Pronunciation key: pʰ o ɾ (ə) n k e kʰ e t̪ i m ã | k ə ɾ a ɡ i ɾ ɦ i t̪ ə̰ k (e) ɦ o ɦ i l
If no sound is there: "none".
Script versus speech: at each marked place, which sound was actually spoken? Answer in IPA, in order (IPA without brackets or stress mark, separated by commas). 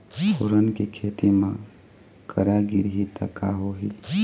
ə, a